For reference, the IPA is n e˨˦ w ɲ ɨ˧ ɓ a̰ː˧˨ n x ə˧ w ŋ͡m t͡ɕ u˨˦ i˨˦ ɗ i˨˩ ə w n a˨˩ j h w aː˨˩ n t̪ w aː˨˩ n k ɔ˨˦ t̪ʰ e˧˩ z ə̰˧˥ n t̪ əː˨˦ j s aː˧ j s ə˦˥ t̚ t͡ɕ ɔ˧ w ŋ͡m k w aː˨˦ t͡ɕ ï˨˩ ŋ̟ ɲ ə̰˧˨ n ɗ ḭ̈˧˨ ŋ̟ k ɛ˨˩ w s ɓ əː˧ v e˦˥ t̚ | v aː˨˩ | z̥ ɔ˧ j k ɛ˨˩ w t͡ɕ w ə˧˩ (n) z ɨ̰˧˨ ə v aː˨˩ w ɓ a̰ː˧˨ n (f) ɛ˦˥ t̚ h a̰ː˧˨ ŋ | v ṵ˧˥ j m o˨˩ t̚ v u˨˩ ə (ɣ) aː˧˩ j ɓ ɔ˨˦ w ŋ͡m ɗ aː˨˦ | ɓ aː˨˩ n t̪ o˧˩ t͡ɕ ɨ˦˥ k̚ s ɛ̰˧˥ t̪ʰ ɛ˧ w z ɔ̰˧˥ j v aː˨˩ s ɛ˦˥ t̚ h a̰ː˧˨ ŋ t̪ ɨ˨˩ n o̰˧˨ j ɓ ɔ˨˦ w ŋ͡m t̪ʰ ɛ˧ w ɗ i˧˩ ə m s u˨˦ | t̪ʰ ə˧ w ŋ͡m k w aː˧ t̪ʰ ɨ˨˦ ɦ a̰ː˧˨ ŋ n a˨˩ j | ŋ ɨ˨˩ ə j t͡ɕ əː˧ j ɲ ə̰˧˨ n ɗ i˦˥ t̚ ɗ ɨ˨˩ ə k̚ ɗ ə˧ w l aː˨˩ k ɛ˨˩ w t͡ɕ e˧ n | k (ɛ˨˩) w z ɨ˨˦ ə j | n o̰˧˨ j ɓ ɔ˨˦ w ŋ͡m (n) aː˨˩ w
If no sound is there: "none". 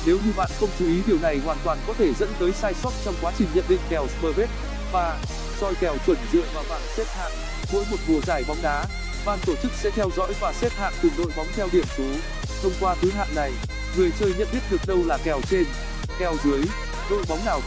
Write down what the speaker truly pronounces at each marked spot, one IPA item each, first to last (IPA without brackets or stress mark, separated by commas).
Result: n, s, z, ɛ˨˩, n